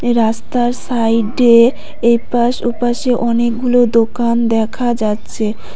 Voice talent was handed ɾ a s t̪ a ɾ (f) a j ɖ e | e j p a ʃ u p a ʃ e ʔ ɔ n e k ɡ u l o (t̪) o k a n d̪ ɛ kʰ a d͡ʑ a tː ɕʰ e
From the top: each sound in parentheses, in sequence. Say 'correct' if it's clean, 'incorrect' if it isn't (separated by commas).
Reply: incorrect, incorrect